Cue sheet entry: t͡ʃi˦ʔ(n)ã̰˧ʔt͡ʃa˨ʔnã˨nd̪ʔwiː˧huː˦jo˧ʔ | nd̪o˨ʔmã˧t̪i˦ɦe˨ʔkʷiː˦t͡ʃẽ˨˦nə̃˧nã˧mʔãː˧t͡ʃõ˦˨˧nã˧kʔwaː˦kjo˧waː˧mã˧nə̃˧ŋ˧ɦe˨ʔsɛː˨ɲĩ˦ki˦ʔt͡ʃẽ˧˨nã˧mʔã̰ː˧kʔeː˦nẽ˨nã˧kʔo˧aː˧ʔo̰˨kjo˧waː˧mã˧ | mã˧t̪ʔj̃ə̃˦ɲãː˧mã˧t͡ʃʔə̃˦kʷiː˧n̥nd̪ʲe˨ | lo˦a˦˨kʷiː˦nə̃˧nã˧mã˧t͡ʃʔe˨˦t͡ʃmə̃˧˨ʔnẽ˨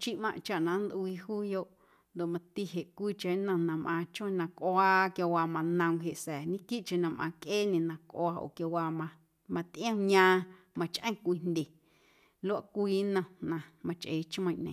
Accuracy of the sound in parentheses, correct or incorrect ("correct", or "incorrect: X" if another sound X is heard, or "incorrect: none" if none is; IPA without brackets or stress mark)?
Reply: incorrect: m